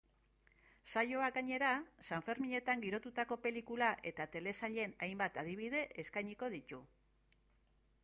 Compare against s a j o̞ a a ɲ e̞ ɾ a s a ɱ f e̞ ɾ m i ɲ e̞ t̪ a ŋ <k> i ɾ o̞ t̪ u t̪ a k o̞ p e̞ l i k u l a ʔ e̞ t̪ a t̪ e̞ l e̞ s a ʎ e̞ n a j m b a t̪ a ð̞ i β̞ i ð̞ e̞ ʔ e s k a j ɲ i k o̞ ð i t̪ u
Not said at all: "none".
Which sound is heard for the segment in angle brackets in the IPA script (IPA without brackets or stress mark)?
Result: ɡ